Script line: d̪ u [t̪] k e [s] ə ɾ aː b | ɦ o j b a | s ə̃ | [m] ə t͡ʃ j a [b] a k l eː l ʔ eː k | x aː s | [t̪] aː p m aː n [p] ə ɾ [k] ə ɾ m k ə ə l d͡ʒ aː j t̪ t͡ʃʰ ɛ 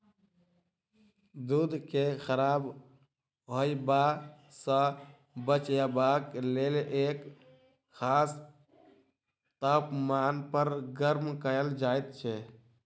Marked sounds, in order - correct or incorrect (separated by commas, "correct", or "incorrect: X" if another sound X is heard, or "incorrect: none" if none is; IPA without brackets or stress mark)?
incorrect: d̪, incorrect: x, incorrect: b, correct, correct, correct, incorrect: ɡ